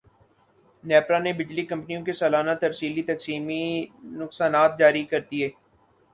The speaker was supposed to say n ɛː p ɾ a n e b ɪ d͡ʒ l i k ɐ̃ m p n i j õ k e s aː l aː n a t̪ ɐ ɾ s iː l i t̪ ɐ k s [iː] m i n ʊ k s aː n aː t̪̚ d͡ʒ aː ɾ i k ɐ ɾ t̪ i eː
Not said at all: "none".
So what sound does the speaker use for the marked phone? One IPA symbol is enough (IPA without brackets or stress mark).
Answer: iː